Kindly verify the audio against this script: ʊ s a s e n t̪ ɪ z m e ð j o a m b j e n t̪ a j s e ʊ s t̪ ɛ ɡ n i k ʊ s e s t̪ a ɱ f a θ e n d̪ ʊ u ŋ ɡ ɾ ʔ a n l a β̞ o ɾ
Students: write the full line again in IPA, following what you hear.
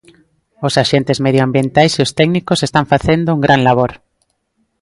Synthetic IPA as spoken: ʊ s a ʃ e n t̪ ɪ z m e ð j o a m b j e n t̪ a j s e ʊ s t̪ ɛ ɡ n i k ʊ s e s t̪ a ɱ f a θ e n d̪ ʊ u ŋ ɡ ɾ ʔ a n l a β̞ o ɾ